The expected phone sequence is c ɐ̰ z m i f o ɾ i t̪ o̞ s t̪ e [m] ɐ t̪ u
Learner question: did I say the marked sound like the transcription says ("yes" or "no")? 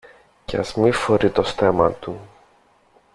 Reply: yes